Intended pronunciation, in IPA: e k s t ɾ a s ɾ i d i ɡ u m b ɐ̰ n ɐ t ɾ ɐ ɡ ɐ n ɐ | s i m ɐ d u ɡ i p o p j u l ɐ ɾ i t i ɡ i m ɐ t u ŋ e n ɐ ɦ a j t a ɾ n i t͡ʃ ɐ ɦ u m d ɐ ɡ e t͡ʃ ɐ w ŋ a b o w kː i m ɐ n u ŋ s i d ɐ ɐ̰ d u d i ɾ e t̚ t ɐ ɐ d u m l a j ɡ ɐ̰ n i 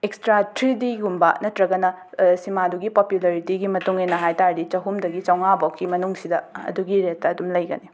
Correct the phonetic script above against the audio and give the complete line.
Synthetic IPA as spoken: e k s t ɾ a t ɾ i d i ɡ u m b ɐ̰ n ɐ t ɾ ɐ ɡ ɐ n ɐ | s i m a d u ɡ i p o p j u l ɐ ɾ i t i ɡ i m ɐ t u ŋ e n ɐ ɦ a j t a ɾ d i t͡ʃ ɐ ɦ u m d ɐ ɡ i t͡ʃ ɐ w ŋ a b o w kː i m ɐ n u ŋ s i d ɐ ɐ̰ d u ɡ i ɾ e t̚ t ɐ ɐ d u m l ɐ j ɡ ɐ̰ n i